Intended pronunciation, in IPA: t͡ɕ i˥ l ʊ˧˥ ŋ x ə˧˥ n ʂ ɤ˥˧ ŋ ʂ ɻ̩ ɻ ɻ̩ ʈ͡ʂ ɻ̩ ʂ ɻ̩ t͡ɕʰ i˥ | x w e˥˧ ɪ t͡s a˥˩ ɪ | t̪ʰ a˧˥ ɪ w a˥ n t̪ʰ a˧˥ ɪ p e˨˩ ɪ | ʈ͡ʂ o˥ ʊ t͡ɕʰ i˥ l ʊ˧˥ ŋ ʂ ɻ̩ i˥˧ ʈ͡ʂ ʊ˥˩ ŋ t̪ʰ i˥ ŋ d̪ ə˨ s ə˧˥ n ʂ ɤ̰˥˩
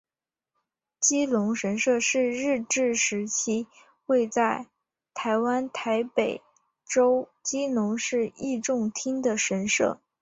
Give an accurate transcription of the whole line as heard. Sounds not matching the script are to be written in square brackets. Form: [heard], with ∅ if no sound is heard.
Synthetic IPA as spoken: t͡ɕ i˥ l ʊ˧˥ ŋ [ʂ] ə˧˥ n ʂ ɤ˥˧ [∅] ʂ ɻ̩ ɻ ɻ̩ ʈ͡ʂ ɻ̩ ʂ ɻ̩ t͡ɕʰ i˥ | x w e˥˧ ɪ t͡s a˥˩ ɪ | t̪ʰ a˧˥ ɪ w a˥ n t̪ʰ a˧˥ ɪ p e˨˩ ɪ | ʈ͡ʂ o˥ ʊ [t͡ɕ] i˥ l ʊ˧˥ ŋ ʂ ɻ̩ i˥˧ ʈ͡ʂ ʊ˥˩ ŋ t̪ʰ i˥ ŋ d̪ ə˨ [ʂ] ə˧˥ n ʂ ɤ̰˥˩